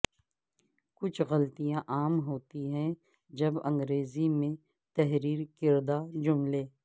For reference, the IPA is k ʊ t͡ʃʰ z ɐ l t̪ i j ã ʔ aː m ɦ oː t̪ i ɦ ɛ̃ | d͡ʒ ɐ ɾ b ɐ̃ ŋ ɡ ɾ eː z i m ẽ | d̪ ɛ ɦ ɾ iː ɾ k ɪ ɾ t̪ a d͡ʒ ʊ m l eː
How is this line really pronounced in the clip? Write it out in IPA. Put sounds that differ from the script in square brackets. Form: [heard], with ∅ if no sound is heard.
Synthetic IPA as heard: k ʊ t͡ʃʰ [ɣ] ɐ l t̪ i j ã ʔ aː m ɦ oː t̪ i ɦ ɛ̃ | d͡ʒ ɐ [∅] b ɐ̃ ŋ ɡ ɾ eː z i m ẽ | [t̪] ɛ ɦ ɾ iː ɾ k ɪ ɾ [d̪] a d͡ʒ ʊ m l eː